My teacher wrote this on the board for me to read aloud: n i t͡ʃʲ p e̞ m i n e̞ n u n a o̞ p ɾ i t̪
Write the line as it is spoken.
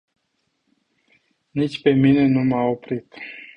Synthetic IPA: n i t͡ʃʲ p e̞ m i n e̞ n u m a o̞ p ɾ i t̪